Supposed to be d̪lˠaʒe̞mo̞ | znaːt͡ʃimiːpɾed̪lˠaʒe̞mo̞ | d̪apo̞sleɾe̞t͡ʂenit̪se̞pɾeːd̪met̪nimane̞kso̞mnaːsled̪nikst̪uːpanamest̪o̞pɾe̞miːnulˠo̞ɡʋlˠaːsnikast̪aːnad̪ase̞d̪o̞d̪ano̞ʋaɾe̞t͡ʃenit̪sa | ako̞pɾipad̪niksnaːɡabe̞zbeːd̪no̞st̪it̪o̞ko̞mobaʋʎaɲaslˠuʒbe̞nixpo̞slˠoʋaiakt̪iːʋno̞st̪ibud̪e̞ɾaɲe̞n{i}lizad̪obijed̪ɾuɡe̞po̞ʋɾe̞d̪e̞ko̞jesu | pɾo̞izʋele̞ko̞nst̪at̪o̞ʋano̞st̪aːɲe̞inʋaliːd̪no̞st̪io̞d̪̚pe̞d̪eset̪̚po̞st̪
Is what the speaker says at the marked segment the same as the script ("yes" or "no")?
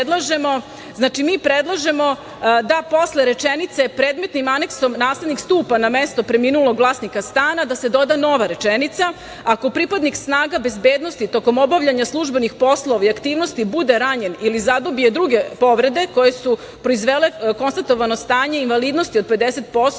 yes